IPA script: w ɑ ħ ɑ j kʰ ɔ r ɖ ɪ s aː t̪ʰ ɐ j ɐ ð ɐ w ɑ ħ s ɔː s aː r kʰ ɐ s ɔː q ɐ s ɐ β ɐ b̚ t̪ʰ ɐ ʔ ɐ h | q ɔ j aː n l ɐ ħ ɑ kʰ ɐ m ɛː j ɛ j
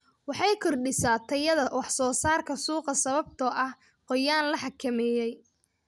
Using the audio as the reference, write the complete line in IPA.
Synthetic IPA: w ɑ ħ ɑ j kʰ ɔ r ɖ ɪ s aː t̪ʰ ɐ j ɐ ð ɐ w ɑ ħ s ɔː s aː r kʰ ɐ s uː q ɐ s ɐ β ɐ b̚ t̪ʰ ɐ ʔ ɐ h | q ɔ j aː n l ɐ ħ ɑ kʰ ɐ m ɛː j ɛ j